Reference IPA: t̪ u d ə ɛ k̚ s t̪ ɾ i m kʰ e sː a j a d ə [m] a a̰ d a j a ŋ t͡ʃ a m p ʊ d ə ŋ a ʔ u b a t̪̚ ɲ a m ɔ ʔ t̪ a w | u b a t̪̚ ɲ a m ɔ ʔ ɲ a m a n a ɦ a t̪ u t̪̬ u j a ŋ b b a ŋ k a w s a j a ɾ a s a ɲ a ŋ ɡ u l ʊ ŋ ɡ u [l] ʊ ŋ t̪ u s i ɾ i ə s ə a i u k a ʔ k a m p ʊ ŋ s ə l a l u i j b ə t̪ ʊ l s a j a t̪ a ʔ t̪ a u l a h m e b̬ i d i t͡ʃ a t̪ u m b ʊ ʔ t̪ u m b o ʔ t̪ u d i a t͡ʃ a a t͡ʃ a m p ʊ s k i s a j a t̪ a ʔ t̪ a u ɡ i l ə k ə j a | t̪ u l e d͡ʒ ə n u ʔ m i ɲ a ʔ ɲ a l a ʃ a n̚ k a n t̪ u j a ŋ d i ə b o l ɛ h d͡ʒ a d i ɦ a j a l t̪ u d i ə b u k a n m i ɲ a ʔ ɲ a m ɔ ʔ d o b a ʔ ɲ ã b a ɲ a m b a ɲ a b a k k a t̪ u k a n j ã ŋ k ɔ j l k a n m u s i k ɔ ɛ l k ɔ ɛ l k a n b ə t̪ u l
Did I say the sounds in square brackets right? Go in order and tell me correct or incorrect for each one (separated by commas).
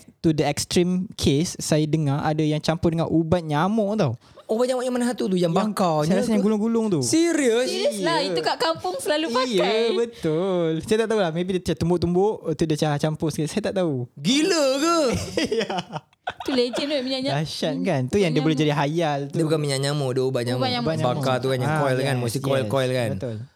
incorrect, correct